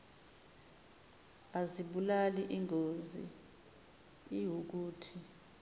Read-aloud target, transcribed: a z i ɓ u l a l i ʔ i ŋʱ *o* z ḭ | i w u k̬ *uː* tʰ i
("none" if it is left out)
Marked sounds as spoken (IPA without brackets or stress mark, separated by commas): o, uː